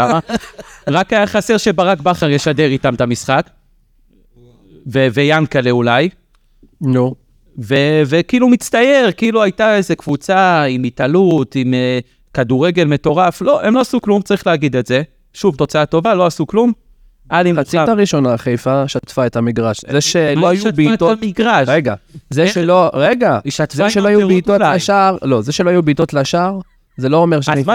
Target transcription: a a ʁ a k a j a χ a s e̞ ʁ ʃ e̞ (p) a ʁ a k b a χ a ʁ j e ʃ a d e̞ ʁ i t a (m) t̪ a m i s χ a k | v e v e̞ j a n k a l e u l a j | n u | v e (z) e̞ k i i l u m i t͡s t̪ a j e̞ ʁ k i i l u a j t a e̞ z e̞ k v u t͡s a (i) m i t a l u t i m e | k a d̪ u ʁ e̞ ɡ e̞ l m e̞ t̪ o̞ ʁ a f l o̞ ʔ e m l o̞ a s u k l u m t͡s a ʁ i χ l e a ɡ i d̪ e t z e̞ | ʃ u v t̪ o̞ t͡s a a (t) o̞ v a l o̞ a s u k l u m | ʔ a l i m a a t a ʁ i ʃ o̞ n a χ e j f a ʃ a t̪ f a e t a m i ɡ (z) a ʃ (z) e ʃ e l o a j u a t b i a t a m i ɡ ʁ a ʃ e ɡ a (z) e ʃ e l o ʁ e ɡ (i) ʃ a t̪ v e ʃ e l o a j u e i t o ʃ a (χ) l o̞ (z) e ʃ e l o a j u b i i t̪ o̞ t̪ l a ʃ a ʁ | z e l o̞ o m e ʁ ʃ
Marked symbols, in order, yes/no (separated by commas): no, yes, no, yes, yes, no, yes, yes, no, no, yes